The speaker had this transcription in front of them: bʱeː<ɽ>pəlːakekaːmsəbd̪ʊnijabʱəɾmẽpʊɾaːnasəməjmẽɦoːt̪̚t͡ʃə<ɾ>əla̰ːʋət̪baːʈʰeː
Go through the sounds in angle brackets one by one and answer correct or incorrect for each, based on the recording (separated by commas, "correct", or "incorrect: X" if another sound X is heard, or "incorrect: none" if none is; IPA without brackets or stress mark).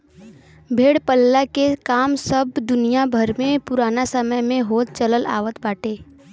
correct, incorrect: l